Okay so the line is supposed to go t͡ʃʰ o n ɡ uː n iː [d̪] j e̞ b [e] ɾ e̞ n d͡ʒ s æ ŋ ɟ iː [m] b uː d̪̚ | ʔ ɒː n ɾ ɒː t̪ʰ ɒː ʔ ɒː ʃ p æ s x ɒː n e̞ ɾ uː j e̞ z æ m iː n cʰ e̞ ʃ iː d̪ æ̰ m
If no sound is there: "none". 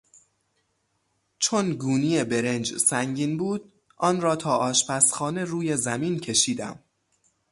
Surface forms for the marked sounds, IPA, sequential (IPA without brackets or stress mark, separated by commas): none, e, n